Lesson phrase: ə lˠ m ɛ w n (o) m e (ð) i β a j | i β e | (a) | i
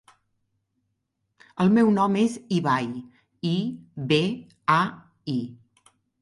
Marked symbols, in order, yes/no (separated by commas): no, no, yes